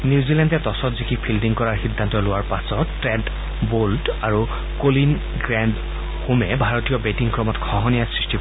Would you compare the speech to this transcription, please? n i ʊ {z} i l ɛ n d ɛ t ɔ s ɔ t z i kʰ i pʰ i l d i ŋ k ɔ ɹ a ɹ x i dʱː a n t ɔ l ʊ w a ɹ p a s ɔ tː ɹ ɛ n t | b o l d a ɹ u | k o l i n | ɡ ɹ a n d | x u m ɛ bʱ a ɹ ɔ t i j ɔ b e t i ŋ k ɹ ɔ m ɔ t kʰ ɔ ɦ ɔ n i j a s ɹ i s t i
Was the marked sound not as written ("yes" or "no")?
no